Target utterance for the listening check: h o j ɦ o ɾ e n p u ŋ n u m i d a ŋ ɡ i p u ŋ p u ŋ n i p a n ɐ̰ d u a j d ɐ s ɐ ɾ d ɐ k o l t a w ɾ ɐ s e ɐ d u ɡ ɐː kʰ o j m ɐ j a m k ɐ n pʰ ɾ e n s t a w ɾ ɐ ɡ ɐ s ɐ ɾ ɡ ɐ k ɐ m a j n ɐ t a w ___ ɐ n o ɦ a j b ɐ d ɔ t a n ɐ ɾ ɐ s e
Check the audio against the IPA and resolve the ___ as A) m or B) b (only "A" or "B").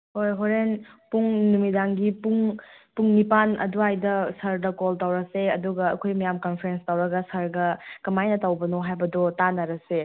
B